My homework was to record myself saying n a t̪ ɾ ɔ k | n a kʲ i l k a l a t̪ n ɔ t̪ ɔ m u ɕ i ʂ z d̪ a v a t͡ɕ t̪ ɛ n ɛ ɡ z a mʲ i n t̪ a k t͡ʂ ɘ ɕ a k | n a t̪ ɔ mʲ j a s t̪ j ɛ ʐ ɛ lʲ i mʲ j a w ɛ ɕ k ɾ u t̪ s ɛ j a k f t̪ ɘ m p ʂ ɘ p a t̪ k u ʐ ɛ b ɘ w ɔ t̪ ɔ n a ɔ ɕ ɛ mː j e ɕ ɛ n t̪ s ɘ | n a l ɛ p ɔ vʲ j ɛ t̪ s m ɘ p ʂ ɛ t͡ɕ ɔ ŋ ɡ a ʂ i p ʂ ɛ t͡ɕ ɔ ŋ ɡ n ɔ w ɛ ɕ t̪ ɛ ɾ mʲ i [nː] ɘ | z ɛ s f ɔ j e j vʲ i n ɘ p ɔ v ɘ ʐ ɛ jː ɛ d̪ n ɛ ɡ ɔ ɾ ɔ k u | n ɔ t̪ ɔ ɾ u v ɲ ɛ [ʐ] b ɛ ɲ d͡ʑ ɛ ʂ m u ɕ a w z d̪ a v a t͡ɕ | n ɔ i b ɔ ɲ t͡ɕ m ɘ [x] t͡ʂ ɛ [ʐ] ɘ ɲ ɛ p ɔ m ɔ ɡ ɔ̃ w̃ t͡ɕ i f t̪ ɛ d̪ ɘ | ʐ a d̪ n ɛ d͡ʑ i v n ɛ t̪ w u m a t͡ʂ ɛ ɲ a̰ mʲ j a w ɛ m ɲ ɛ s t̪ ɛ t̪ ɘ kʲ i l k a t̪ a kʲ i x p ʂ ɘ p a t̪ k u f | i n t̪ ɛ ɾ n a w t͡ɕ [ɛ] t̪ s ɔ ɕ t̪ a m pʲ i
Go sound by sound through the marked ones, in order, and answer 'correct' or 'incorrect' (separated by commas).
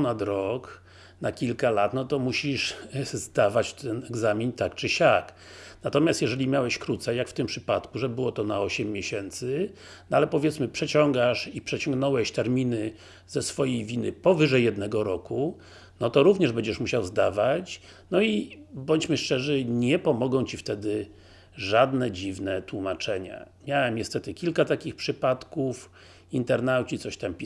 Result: incorrect, correct, incorrect, correct, incorrect